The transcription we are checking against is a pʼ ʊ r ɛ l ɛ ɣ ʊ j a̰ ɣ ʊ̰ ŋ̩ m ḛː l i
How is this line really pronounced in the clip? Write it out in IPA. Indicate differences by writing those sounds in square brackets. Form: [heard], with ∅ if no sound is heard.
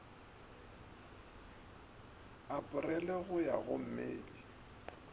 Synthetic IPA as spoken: a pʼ ʊ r ɛ l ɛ ɣ ʊ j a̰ ɣ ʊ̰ [m̩] m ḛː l i